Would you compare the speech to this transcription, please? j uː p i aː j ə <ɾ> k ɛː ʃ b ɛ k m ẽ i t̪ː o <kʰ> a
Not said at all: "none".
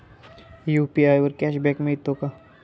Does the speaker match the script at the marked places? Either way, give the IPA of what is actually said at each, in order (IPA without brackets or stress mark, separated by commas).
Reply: ɾ, k